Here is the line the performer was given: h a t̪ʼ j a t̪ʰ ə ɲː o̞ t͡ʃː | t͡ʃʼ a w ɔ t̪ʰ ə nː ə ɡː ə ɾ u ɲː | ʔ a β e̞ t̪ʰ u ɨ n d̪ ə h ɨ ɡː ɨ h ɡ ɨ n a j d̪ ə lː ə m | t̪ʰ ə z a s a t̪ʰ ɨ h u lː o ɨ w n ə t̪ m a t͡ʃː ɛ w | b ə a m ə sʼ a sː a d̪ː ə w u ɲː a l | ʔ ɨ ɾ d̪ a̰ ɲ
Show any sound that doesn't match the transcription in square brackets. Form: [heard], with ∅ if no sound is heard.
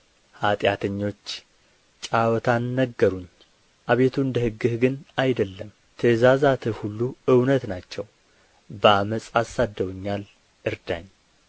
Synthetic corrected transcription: h a t̪ʼ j a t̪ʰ ə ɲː o̞ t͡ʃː | t͡ʃʼ a w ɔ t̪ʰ [a] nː ə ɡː ə ɾ u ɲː | ʔ a β e̞ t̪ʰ u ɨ n d̪ ə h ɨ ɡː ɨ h ɡ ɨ n a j d̪ ə lː ə m | t̪ʰ ə z a [z] a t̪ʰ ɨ h u lː [u] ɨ w n ə t̪ [n] a t͡ʃː ɛ w | b ə a m ə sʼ a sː a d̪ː ə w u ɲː a l | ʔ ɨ ɾ d̪ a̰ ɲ